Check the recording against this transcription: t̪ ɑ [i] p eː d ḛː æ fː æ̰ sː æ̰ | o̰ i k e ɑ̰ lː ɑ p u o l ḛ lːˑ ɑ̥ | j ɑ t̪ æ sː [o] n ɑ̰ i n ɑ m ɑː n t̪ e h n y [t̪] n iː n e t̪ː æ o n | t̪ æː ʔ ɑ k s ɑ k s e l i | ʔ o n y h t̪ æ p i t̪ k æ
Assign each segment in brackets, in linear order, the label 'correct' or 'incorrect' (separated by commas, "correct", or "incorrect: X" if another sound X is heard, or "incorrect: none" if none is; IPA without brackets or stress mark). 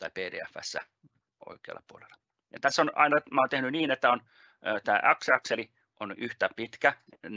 correct, correct, incorrect: none